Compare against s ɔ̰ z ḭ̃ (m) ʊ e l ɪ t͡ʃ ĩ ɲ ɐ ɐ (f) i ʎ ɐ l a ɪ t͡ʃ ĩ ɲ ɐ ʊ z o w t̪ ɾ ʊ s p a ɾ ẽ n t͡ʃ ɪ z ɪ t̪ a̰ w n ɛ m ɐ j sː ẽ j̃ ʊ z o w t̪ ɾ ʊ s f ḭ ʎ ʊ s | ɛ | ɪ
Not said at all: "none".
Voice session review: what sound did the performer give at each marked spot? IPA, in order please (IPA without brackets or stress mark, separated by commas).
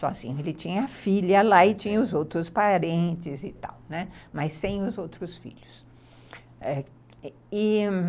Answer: ɲ, f